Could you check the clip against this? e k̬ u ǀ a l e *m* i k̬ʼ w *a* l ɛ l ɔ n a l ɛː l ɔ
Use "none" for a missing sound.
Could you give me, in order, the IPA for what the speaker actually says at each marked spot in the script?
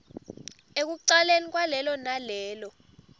n, a

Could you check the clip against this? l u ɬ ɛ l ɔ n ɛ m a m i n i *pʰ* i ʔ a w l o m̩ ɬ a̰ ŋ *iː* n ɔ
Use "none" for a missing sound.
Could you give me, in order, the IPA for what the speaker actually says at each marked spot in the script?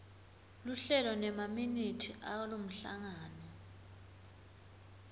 tʰ, aː

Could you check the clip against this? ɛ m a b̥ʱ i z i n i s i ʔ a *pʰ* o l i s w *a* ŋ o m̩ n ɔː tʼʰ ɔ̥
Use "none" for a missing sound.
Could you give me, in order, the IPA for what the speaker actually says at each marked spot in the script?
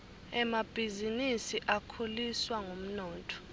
kʰ, a

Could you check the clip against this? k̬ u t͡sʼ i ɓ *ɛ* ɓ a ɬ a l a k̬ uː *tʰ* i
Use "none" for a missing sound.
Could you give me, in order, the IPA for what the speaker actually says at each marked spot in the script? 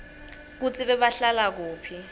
ɛ, pʰ

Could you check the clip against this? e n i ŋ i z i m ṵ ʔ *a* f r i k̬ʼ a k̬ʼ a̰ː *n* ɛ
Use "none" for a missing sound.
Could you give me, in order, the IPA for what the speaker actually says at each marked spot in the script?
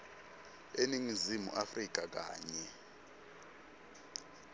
a, ɲ

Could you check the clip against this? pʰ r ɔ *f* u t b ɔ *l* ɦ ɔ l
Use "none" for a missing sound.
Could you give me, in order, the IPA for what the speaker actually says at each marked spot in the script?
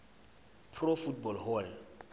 f, l

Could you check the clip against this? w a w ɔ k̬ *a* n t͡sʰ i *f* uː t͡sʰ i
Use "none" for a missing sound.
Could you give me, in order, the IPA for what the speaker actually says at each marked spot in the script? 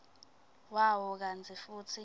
a, f

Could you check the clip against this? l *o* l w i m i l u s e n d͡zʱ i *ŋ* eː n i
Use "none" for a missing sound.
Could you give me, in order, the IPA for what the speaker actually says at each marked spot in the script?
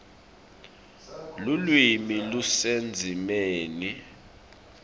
u, m

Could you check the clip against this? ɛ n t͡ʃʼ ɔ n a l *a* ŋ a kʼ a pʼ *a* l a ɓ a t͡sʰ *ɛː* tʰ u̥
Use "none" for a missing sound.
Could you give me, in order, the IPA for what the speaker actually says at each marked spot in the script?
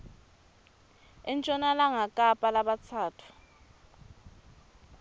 a, a, aː

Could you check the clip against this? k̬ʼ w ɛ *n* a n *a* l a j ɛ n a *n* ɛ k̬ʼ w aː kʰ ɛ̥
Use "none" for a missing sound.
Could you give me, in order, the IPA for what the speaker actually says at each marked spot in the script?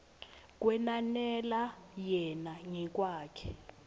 n, ɛ, ŋ

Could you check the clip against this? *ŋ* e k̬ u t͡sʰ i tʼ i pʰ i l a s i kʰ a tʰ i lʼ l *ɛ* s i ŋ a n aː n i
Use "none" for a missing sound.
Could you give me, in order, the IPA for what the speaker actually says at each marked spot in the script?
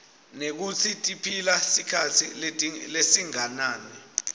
n, e

